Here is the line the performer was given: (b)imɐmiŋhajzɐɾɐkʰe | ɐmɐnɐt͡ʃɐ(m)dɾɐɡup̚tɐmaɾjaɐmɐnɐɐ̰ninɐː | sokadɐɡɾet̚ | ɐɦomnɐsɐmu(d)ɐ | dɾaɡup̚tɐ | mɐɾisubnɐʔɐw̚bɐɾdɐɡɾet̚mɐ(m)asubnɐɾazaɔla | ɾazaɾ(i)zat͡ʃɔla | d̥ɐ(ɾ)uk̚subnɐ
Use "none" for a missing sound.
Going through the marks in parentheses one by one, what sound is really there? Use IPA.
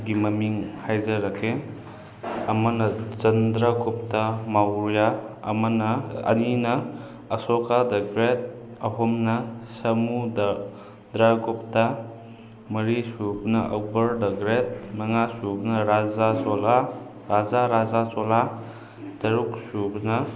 ɡ, n, d, ŋ, a, ɾ

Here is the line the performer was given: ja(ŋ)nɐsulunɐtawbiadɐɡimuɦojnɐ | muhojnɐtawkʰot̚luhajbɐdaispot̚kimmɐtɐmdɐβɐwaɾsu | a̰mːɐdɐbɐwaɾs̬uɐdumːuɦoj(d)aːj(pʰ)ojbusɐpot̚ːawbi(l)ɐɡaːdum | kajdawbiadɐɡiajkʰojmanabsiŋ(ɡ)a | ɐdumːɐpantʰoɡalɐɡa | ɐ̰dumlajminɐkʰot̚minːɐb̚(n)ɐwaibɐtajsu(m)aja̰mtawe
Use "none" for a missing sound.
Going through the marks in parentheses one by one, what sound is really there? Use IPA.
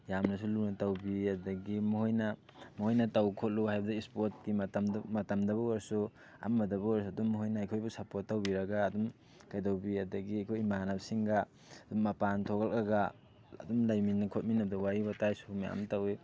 m, n, kʰ, ɾ, ɡ, d, m

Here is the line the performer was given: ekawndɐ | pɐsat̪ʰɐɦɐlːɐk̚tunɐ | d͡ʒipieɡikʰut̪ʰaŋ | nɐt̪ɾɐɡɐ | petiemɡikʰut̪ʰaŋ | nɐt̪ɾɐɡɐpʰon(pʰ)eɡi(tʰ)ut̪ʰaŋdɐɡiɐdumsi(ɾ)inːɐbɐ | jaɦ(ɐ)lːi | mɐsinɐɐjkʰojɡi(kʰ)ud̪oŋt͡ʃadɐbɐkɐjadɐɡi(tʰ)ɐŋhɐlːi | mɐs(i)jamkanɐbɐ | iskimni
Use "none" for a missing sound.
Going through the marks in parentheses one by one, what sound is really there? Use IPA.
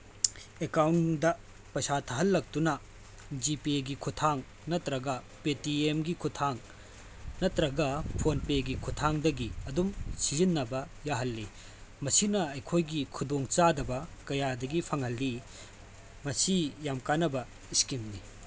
p, kʰ, ɾ, ɐ, kʰ, pʰ, i

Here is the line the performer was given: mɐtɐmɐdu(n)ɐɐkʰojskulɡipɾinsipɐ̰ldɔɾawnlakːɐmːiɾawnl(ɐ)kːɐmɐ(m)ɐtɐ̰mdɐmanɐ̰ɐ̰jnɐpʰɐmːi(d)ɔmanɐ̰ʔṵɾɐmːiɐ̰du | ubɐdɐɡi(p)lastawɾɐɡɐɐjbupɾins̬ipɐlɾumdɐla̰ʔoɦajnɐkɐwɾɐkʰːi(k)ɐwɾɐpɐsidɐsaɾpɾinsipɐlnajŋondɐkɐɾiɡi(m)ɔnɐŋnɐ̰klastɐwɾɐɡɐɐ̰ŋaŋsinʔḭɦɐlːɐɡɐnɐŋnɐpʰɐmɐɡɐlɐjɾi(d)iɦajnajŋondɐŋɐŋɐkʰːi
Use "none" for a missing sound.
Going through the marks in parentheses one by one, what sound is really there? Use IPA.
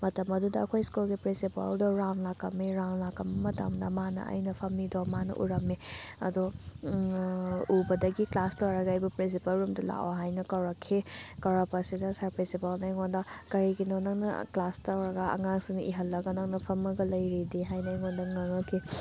d, a, m, d, k, k, n, d

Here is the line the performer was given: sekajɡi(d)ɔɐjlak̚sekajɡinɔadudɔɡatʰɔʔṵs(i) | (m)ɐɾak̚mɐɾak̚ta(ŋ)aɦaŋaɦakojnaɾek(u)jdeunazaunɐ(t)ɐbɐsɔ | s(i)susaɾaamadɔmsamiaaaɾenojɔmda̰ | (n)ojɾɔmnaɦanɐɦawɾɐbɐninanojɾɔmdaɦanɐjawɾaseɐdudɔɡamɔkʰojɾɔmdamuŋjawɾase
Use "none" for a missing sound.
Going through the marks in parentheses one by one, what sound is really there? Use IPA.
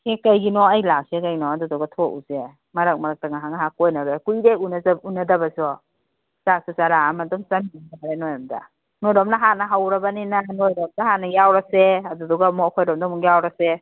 n, e, m, ŋ, u, d, a, n

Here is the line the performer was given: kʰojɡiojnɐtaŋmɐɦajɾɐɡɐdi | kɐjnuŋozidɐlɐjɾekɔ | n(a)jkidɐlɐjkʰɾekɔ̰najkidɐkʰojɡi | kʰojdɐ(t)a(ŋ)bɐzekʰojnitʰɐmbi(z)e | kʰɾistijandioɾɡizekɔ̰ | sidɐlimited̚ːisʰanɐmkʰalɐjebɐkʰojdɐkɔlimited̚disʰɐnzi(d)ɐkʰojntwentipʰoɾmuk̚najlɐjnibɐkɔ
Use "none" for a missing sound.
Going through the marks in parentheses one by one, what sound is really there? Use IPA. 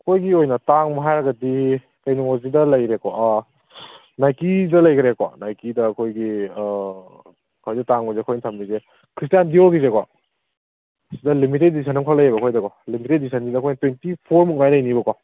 a, t, ŋ, z, d

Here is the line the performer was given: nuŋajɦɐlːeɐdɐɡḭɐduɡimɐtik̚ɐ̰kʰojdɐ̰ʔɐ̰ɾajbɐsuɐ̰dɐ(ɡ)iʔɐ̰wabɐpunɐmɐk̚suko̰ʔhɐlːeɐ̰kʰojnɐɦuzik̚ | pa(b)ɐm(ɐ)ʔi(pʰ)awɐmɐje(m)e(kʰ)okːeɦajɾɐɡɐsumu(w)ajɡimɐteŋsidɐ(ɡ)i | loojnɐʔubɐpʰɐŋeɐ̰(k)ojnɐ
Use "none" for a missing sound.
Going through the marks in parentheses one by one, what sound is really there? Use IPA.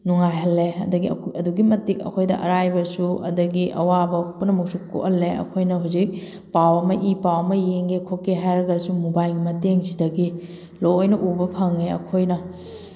ɡ, w, ɐ, p, ŋ, kʰ, b, ɡ, kʰ

